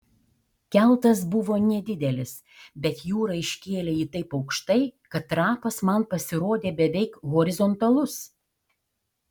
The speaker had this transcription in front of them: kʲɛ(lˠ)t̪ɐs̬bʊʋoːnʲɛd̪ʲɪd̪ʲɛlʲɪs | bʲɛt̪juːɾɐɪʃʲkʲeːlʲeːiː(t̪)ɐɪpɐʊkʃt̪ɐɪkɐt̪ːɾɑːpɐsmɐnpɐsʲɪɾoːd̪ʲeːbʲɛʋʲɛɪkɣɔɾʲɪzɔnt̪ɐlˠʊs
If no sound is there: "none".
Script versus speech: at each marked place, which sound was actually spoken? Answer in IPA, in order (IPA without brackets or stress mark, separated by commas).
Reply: lˠ, t̪